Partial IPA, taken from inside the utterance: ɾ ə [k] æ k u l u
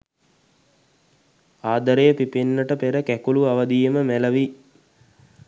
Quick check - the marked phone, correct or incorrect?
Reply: correct